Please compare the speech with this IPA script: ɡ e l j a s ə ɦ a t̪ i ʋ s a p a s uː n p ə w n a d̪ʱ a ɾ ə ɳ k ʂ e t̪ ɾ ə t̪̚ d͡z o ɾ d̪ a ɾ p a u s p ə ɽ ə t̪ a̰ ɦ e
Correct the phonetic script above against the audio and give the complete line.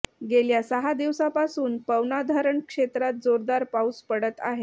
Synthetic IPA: ɡ e l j a s ə ɦ a d̪ i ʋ s a p a s uː n p ə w n a d̪ʱ a ɾ ə ɳ k ʂ e t̪ ɾ a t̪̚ d͡z o ɾ d̪ a ɾ p a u s p ə ɽ ə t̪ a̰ ɦ e

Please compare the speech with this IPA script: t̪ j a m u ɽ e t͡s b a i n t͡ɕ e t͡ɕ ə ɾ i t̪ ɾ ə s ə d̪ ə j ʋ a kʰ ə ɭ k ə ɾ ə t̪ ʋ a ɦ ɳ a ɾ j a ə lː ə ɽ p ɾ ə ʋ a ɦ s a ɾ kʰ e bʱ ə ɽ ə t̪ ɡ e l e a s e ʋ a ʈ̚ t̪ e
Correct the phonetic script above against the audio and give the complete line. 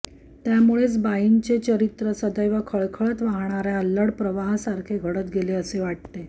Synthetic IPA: t̪ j a m u ɭ e t͡s b a i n t͡ɕ e t͡ɕ ə ɾ i t̪ ɾ ə s ə d̪ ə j ʋ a kʰ ə ɭ kʰ ə ɭ ə t̪ ʋ a ɦ ɳ a ɾ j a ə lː ə ɽ p ɾ ə ʋ a ɦ s a ɾ kʰ e ɡʱ ə ɽ ə t̪ ɡ e l e ə s e ʋ a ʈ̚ t̪ e

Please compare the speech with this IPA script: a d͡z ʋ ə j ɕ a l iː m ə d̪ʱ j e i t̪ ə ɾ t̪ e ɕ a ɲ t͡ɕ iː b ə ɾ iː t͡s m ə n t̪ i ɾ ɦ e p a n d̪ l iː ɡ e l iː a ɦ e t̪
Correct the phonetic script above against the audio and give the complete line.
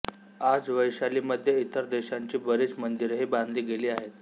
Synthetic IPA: a d͡z ʋ ə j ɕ a l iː m ə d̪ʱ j e i t̪ ə ɾ d̪ e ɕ a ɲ t͡ɕ iː b ə ɾ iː t͡s m ə n d̪ i ɾ ɦ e b a n d̪ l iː ɡ e l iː a ɦ e t̪

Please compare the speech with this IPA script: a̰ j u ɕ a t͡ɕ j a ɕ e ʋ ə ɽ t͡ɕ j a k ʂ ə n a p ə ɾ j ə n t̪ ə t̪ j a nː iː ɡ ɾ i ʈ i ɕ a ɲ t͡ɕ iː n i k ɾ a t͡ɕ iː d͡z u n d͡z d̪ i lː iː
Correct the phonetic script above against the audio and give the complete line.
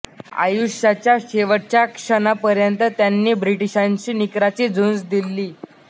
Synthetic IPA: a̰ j u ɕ a t͡ɕ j a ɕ e ʋ ə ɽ t͡ɕ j a k ʂ ə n a p ə ɾ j ə n t̪ ə t̪ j a nː iː b ɾ i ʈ i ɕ a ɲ t͡ɕ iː n i k ɾ a t͡ɕ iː d͡z u n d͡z d̪ i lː iː

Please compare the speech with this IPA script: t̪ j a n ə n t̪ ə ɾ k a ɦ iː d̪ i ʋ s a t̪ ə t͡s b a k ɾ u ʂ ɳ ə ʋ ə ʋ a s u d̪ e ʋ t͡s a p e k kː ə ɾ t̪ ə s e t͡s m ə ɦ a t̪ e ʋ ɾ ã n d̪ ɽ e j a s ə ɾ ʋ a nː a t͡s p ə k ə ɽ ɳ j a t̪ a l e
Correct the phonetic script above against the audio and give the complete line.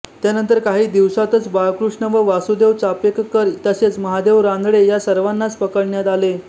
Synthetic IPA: t̪ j a n ə n t̪ ə ɾ k a ɦ iː d̪ i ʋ s a t̪ ə t͡s b a k ɾ u ʂ ɳ ə ʋ ə ʋ a s u d̪ e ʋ t͡s a p e k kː ə ɾ t̪ ə s e t͡s m ə ɦ a d̪ e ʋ ɾ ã n d̪ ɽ e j a s ə ɾ ʋ a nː a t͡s p ə k ə ɽ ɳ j a t̪ a l e

